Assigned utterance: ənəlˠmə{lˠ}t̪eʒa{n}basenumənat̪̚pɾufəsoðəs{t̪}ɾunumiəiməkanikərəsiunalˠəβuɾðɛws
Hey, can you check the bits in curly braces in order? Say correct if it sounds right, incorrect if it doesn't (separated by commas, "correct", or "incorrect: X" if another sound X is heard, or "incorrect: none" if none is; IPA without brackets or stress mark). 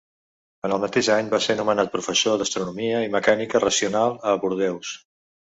incorrect: none, incorrect: ɲ, correct